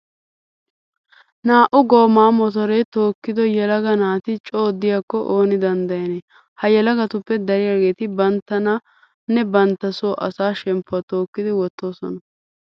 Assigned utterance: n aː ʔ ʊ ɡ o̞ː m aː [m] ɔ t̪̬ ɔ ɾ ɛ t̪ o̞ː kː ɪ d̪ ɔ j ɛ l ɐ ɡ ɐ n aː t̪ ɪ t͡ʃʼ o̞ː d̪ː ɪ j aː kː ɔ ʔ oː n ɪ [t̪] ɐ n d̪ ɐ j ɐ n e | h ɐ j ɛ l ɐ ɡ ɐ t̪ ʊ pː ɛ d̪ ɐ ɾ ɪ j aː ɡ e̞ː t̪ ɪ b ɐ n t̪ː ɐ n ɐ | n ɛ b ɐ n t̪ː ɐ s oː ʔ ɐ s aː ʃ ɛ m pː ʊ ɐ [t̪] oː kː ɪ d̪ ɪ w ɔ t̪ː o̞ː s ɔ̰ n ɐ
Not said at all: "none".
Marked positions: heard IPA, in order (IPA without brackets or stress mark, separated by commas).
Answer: m, d̪, t̪